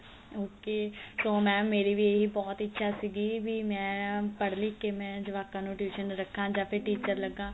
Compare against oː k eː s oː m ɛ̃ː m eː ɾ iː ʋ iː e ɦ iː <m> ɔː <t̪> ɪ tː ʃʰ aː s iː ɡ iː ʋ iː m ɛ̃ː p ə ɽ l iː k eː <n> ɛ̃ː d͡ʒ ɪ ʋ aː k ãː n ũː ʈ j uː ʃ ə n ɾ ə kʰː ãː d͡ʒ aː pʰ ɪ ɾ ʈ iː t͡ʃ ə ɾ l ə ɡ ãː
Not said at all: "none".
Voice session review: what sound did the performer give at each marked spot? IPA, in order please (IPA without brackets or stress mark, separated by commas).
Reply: b, t̪, m